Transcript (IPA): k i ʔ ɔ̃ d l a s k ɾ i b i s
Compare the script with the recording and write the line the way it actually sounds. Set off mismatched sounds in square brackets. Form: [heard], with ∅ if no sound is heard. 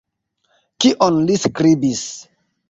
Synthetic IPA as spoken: k i ʔ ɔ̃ [n] l [i] s k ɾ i b i s

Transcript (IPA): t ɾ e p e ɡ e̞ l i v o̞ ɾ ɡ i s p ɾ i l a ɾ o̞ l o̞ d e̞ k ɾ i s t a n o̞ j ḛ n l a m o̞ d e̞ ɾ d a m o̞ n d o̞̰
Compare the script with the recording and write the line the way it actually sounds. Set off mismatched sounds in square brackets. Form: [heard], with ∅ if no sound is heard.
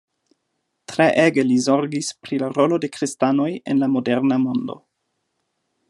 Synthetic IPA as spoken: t ɾ e [ʔ] e ɡ e̞ l i [z] o̞ ɾ ɡ i s p ɾ i l a ɾ o̞ l o̞ d e̞ k ɾ i s t a n o̞ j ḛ n l a m o̞ d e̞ ɾ [n] a m o̞ n d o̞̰

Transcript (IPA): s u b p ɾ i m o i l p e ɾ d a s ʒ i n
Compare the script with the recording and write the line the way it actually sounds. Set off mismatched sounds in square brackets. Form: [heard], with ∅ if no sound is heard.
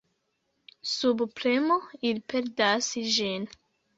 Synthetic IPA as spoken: s u b p ɾ [e] m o i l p e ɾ d a s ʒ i n

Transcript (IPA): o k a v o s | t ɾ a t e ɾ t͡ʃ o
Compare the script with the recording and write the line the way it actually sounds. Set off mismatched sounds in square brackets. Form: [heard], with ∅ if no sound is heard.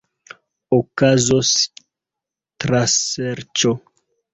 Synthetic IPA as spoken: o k a [z] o s | t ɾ a [s] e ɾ t͡ʃ o

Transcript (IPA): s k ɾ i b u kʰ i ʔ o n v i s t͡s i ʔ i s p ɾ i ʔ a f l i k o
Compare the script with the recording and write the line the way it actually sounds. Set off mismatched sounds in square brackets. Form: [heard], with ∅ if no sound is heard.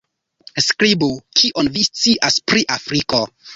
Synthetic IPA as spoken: s k ɾ i b u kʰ i ʔ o n v i s t͡s i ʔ [a] s p ɾ i ʔ a f [ɾ] i k o

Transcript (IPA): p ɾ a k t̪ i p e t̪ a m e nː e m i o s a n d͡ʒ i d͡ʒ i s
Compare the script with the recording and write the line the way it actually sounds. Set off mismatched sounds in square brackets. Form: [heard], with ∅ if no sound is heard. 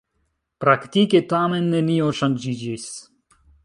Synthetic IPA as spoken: p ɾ a k t̪ i [k] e t̪ a m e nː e [n] i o [ʃ] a n d͡ʒ i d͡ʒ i s

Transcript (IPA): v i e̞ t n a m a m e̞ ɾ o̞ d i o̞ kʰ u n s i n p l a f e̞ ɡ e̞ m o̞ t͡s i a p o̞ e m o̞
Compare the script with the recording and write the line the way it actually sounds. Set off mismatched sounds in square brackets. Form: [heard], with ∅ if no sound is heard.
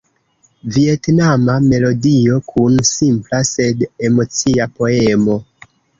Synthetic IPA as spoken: v i e̞ t n a m a m e̞ [l] o̞ d i o̞ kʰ u n s i [m] p l a [s] e̞ [d] e̞ m o̞ t͡s i a p o̞ e m o̞

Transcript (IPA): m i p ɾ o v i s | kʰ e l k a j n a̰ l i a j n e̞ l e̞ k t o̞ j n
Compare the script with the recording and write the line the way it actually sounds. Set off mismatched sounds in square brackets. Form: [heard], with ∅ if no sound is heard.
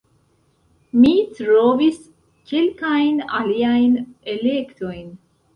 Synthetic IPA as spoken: m i [t] ɾ o v i s | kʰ e l k a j n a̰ l i a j n e̞ l e̞ k t o̞ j n

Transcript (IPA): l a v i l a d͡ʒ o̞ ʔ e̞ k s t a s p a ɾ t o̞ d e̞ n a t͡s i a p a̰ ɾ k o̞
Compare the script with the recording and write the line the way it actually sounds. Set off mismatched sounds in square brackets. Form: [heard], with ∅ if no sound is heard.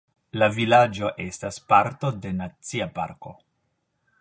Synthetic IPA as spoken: l a v i l a d͡ʒ o̞ ʔ e̞ [∅] s t a s p a ɾ t o̞ d e̞ n a t͡s i a p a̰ ɾ k o̞

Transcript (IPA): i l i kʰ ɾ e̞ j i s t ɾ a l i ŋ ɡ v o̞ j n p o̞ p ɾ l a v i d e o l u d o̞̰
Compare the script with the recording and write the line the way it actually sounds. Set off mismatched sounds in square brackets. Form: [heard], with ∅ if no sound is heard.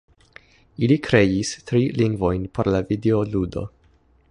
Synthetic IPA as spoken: i l i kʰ ɾ e̞ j i s t ɾ [i] l i ŋ ɡ v o̞ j n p o̞ [∅] ɾ l a v i d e o l u d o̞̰

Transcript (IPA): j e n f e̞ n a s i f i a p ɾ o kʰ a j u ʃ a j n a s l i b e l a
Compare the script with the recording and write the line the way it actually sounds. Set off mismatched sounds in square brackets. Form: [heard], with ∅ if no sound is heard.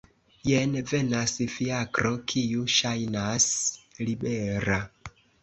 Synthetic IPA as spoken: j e n [v] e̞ n a s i f i a [k] ɾ o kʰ [i] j u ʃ a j n a s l i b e [ɾ] a

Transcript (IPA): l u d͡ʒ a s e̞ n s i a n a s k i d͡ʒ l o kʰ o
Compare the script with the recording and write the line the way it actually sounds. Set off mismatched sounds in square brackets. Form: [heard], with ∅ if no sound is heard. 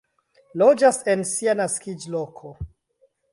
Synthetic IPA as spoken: l [o] d͡ʒ a s e̞ n s i a n a s k i d͡ʒ l o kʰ o

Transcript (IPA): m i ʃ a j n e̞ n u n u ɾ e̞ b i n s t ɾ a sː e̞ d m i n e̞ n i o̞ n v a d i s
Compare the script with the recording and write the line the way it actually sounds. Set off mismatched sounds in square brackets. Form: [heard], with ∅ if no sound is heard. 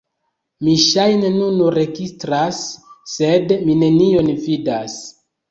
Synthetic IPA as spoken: m i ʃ a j n e̞ n u n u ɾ e̞ [ɡ] i [∅] s t ɾ a sː e̞ d m i n e̞ n i o̞ n v [i] d [a] s

